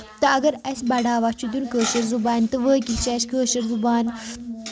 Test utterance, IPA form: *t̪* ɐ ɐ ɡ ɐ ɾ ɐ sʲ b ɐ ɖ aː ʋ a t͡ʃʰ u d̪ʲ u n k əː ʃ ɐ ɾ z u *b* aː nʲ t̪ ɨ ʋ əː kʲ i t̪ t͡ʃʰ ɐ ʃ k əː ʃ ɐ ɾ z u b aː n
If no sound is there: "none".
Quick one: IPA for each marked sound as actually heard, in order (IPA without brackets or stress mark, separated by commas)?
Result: t̪, b